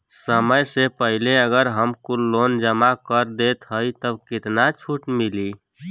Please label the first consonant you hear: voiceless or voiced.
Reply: voiceless